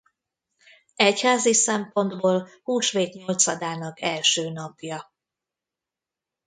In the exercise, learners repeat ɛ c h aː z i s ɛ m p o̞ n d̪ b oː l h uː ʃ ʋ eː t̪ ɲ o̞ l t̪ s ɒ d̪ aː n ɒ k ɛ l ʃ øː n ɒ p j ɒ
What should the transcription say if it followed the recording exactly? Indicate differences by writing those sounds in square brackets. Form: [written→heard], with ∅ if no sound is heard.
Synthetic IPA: ɛ c h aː z i s ɛ m p o̞ n d̪ b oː l h uː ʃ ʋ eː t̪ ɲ o̞ l t̪ s ɒ d̪ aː n ɒ k ɛ l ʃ øː n ɒ p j ɒ